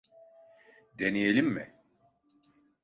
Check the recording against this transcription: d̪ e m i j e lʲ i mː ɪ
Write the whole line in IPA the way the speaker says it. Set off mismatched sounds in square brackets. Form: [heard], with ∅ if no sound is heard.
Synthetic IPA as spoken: d̪ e [n] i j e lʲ i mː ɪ

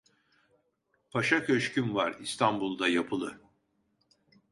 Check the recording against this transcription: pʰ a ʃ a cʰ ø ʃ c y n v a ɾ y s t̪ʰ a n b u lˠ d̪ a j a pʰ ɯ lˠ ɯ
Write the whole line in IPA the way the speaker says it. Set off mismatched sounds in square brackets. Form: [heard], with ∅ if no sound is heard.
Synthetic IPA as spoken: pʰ a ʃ a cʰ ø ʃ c y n v a ɾ [i] s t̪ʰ a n b u lˠ d̪ a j a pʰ ɯ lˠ ɯ

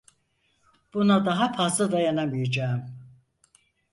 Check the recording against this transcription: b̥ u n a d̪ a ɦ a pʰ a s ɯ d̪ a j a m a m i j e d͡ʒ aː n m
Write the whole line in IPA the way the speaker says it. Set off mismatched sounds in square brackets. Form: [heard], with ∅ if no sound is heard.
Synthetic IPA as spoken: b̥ u n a d̪ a ɦ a pʰ a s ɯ d̪ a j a [n] a m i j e d͡ʒ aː [∅] m

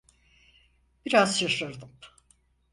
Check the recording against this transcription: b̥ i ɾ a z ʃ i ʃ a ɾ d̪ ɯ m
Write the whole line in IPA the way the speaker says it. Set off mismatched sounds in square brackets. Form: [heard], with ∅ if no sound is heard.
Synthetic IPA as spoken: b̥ i ɾ a z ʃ [a] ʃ a ɾ d̪ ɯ m

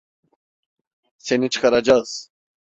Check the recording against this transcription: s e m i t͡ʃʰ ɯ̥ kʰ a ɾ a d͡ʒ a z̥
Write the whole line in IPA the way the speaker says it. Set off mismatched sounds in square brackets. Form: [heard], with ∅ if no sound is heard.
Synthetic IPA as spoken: s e [n] i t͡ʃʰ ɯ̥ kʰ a ɾ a d͡ʒ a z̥

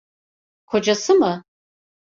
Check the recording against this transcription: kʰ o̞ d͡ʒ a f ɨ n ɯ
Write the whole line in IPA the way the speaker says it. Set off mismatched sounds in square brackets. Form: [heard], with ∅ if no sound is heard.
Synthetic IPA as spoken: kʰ o̞ d͡ʒ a [s] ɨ [m] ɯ

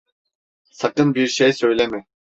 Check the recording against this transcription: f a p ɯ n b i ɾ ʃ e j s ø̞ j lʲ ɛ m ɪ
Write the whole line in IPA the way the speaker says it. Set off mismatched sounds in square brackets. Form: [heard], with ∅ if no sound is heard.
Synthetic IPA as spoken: [s] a [k] ɯ n b i ɾ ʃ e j s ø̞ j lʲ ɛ m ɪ

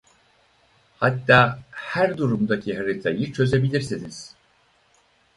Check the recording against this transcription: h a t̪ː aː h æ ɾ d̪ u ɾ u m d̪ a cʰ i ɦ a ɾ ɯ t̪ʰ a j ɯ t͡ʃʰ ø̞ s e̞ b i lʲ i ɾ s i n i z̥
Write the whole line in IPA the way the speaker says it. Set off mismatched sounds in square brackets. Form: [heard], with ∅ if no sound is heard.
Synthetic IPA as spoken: h a t̪ː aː h æ ɾ d̪ u ɾ u m d̪ a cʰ i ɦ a ɾ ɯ t̪ʰ a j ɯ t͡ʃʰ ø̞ [z] e̞ b i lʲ i ɾ s i n i z̥

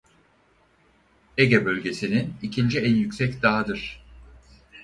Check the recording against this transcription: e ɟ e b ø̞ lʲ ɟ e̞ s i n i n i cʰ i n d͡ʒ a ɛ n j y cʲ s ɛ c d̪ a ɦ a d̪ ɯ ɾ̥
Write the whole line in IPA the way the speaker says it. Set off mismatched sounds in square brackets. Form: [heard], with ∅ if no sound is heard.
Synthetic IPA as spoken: e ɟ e b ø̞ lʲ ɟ e̞ s i n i n i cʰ i n d͡ʒ [i] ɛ n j y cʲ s ɛ c d̪ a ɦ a d̪ ɯ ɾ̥

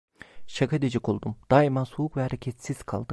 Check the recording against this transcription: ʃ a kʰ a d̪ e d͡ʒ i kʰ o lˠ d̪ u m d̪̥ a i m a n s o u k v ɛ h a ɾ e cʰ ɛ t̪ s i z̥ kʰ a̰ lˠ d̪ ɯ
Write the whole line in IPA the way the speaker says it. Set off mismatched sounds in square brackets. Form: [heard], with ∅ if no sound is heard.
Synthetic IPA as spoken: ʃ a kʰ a d̪ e d͡ʒ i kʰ o lˠ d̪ u m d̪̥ a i m a n s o u k v ɛ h a ɾ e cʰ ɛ t̪ s i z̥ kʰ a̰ lˠ d̪ ɯ

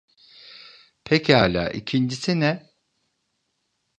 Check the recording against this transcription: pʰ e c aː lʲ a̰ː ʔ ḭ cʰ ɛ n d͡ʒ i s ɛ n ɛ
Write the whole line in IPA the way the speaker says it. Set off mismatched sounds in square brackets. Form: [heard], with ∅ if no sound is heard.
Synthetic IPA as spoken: pʰ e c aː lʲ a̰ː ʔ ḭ cʰ [i] n d͡ʒ i s [i] n ɛ

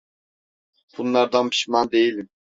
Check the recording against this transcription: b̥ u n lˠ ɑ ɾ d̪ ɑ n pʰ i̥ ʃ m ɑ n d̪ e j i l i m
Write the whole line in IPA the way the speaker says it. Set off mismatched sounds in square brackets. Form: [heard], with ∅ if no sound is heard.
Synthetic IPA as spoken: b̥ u n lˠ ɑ ɾ d̪ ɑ n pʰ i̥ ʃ m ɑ n d̪ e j i l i m

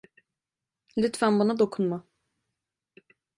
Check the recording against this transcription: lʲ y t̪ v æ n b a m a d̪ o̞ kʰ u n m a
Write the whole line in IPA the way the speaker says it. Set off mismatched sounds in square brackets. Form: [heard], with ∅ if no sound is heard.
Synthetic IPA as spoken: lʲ y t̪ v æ n b a [n] a d̪ o̞ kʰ u n m a

